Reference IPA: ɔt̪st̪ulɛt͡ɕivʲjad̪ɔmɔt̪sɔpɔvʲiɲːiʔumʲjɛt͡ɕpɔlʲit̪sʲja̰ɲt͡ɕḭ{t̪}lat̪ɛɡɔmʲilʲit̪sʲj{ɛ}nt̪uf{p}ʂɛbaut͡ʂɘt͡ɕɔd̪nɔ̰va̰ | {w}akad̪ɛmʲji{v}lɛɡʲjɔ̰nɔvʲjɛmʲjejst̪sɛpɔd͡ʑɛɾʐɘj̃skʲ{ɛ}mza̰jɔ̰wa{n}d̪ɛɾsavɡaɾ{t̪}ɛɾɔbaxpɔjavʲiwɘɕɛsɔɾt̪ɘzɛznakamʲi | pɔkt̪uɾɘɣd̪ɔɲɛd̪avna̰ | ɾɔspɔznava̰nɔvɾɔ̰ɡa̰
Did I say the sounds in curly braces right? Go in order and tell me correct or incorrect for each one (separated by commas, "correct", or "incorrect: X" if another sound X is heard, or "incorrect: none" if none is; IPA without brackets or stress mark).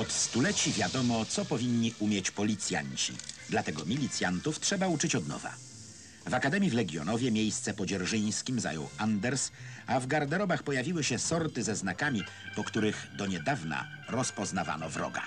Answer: incorrect: d̪, incorrect: a, incorrect: t, incorrect: v, correct, incorrect: i, correct, incorrect: d̪